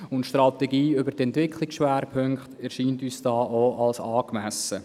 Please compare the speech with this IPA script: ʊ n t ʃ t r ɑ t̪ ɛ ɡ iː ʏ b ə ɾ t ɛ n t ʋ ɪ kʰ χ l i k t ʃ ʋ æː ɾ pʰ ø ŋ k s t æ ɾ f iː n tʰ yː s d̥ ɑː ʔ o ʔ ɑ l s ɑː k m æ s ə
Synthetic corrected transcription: ʊ n t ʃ t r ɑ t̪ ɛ ɡ iː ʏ b ə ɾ t ɛ n t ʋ ɪ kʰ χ l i k s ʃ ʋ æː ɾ pʰ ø ŋ k χ t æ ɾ ʃ iː n t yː s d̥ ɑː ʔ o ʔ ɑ l s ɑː k m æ s ə